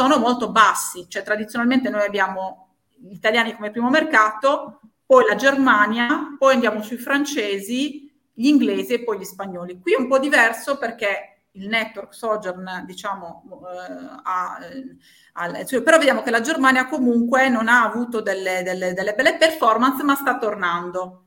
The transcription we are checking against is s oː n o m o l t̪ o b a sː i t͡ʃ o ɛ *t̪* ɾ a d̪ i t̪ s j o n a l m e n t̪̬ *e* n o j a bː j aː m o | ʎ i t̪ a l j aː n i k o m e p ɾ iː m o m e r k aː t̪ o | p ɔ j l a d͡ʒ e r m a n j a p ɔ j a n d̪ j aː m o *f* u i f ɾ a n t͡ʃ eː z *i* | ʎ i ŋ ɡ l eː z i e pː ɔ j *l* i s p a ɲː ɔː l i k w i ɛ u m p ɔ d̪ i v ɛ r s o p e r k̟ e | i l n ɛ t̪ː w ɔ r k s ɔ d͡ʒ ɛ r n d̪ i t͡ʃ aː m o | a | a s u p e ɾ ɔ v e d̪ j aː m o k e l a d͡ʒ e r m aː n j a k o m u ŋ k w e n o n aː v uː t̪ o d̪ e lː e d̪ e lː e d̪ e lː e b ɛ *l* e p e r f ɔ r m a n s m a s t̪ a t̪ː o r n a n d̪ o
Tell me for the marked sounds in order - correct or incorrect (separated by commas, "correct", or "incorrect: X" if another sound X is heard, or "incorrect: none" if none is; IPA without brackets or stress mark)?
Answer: correct, correct, incorrect: s, correct, incorrect: ʎ, incorrect: lː